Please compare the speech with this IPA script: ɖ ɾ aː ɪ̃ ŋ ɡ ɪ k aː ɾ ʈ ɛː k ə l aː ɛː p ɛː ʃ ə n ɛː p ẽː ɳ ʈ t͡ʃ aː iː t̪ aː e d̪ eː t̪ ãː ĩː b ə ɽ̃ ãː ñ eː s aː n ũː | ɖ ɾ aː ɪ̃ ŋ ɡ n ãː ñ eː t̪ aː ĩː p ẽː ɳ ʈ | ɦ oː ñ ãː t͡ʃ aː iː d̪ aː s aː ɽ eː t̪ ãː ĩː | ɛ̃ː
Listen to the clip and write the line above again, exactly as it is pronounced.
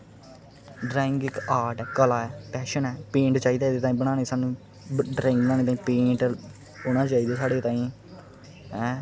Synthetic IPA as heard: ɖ ɾ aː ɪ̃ ŋ ɡ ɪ k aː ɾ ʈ ɛː k ə l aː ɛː p ɛː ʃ ə n ɛː p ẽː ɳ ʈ t͡ʃ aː iː d̪ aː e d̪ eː t̪ aː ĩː b ə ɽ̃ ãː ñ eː s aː n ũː | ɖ ɾ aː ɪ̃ ŋ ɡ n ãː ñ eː t̪ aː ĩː p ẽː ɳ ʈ | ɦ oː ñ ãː t͡ʃ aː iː d̪ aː s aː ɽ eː t̪ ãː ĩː | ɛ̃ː

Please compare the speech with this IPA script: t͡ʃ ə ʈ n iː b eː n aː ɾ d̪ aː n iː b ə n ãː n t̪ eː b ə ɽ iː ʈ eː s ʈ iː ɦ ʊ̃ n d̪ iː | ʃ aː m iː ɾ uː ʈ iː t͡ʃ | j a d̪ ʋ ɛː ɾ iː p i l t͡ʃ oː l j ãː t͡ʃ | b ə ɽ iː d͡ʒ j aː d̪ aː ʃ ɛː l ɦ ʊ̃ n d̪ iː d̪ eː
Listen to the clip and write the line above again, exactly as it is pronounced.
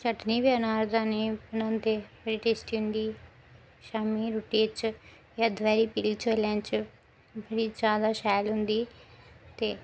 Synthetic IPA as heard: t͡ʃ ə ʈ n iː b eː n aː ɾ d̪ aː n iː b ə n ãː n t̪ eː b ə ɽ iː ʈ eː s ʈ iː ɦ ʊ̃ n d̪ iː | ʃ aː m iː ɾ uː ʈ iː t͡ʃ | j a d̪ ʋ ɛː ɾ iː p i l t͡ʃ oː l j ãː t͡ʃ | b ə ɽ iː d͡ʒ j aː d̪ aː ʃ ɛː l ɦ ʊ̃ n d̪ iː t̪ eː

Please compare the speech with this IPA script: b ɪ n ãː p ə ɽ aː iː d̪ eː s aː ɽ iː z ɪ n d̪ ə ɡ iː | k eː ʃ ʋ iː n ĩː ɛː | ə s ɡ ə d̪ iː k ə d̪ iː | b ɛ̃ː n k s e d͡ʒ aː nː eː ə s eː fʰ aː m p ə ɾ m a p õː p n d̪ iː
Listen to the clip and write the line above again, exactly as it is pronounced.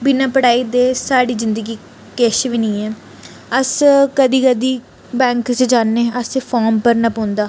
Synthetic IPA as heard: b ɪ n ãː p ə ɽ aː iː d̪ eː s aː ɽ iː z ɪ n d̪ ə ɡ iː | k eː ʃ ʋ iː n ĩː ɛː | ə s k ə d̪ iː k ə d̪ iː | b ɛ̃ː ŋ k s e d͡ʒ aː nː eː ə s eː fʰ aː m p ə ɾ n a p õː n d̪ aː

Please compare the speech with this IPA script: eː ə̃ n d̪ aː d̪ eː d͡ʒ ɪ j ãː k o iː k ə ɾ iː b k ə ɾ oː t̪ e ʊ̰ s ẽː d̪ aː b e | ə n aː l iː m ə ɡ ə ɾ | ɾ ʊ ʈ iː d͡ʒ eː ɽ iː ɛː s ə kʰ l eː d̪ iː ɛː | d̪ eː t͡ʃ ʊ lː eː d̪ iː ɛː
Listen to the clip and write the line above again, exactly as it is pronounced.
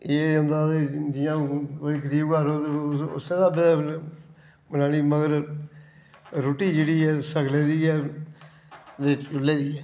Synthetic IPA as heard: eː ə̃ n d̪ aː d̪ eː d͡ʒ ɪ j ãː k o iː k ə ɾ iː b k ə ɾ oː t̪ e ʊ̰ s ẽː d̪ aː b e | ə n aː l iː m ə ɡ ə ɾ | ɾ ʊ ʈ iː d͡ʒ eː ɽ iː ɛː s ə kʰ l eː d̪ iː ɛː | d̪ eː t͡ʃ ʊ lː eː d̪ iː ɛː

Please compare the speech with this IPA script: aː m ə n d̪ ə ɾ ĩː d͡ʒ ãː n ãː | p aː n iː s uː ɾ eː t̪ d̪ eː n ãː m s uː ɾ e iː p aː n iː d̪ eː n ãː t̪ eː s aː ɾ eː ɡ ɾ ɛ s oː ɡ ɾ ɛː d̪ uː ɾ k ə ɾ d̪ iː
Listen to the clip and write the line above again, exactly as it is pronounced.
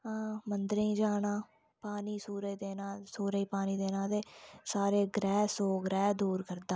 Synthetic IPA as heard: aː m ə n d̪ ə ɾ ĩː d͡ʒ aː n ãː | p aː n iː s uː ɾ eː d̪ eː n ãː s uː ɾ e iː p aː n iː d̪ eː n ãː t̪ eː s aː ɾ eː ɡ ɾ ɛː s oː ɡ ɾ ɛː d̪ uː ɾ k ə ɾ d̪ aː

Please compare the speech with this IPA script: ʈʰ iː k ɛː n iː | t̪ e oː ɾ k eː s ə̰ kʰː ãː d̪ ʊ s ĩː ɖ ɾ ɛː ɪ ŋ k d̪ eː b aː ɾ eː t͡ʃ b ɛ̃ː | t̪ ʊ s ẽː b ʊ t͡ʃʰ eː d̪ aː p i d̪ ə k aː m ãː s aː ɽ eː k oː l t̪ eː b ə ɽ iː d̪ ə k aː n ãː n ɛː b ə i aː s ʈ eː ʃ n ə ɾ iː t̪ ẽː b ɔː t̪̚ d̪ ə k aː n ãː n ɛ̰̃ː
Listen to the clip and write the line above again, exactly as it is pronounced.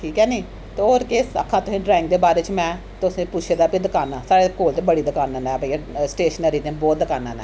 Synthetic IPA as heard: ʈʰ iː k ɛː n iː | t̪ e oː ɾ k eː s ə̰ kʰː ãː t̪ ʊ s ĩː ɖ ɾ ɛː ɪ ŋ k d̪ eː b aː ɾ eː t͡ʃ m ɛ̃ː | t̪ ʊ s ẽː p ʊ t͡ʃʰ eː d̪ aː p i d̪ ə k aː n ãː s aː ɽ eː k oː l t̪ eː b ə ɽ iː d̪ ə k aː n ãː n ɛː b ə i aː s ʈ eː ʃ n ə ɾ iː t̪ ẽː b ɔː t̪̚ d̪ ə k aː n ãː n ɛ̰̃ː

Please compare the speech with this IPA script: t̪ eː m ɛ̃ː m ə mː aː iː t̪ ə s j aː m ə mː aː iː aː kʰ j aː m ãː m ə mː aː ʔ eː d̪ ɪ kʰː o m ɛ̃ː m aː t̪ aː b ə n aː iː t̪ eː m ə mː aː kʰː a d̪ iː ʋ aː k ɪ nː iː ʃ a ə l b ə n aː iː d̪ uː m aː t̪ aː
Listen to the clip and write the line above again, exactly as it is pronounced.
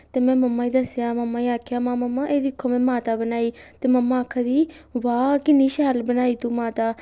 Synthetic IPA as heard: t̪ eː m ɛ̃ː m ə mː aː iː d̪ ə s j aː m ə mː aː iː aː kʰ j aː m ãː m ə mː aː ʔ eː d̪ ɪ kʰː o m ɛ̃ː m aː t̪ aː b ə n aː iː t̪ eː m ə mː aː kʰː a d̪ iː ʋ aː k ɪ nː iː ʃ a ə l b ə n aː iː t̪ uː m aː t̪ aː

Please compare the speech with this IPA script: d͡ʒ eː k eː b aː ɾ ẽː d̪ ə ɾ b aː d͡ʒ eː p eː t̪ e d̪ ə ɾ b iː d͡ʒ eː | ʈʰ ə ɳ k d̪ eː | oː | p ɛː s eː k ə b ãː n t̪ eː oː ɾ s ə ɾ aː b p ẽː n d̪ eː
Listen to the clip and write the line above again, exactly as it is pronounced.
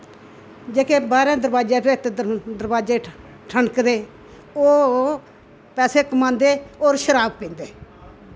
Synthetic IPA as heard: d͡ʒ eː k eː b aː ɾ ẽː d̪ ə ɾ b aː d͡ʒ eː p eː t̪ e d̪ ə ɾ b aː d͡ʒ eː | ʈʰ ə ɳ k d̪ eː | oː | p ɛː s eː k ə m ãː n d̪ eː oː ɾ ʃ ə ɾ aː b p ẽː n d̪ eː

